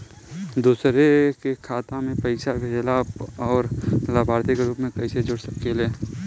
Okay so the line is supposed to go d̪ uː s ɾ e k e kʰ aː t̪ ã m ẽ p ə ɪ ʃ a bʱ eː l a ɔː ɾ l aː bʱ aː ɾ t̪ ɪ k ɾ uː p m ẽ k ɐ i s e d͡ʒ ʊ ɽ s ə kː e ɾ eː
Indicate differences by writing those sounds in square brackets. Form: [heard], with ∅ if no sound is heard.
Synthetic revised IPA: d̪ uː s ɾ e k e kʰ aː t̪ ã m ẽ p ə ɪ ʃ a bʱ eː l a ɔː ɾ l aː bʱ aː ɾ t̪ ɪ k ɾ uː p m ẽ k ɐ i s e d͡ʒ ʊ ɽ s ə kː e [l] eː